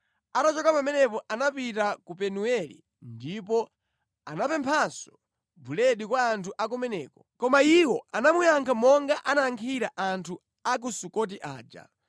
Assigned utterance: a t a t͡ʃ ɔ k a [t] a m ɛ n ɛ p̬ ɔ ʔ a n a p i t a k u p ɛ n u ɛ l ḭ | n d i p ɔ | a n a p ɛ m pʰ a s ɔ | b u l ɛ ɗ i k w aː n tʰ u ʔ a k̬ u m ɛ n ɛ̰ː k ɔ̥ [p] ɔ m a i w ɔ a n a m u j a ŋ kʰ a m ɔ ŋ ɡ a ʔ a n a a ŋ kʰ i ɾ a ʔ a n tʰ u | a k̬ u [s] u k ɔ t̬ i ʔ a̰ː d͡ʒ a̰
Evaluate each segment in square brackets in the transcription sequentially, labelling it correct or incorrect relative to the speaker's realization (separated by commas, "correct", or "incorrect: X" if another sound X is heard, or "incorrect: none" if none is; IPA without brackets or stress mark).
incorrect: p, incorrect: k, correct